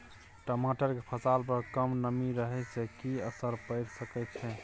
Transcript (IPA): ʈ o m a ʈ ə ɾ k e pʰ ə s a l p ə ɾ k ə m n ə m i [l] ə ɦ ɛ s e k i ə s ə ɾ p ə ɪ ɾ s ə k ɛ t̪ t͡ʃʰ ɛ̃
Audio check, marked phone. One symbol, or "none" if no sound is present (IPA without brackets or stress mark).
ɾ